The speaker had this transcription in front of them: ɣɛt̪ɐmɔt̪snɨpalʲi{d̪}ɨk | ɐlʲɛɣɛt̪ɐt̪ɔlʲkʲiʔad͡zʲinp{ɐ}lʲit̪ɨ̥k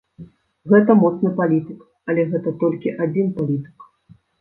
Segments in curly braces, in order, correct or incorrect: incorrect, incorrect

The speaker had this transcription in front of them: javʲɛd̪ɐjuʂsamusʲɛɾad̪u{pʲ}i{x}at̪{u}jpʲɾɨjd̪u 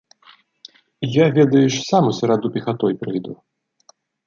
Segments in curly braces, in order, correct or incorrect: correct, correct, incorrect

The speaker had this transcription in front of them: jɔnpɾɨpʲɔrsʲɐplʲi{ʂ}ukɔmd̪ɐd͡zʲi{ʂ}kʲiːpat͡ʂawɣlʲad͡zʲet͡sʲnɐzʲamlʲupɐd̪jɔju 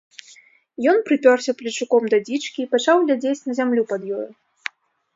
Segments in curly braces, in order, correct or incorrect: incorrect, incorrect

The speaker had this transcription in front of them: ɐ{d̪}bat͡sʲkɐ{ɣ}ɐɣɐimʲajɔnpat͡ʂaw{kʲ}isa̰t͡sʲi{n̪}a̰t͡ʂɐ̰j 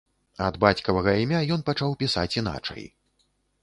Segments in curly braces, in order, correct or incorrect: correct, incorrect, incorrect, correct

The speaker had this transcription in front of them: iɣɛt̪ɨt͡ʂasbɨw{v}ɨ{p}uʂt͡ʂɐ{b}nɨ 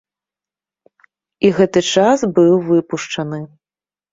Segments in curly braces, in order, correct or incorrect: correct, correct, incorrect

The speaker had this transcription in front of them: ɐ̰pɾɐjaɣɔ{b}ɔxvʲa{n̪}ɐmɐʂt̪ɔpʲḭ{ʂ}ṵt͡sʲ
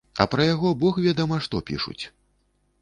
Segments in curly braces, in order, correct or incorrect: correct, incorrect, correct

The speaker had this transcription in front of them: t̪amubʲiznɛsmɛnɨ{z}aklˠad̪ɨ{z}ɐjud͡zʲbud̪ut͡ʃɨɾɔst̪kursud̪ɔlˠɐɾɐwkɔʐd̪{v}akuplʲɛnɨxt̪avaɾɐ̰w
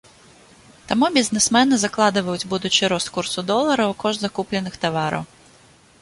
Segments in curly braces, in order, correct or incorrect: correct, incorrect, incorrect

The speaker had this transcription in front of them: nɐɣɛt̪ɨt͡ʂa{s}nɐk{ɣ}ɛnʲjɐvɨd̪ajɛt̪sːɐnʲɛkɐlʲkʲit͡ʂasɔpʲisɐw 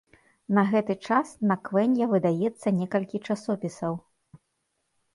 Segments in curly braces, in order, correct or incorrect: correct, incorrect

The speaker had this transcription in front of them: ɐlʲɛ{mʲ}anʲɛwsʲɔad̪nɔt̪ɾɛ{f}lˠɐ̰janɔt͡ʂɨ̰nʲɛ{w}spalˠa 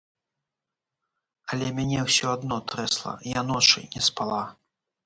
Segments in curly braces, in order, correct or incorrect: correct, incorrect, incorrect

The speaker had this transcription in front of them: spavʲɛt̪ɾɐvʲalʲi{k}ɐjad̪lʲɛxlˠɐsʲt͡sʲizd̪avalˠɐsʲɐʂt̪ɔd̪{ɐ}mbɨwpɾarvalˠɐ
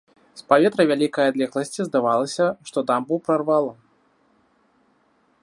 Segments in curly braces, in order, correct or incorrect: correct, incorrect

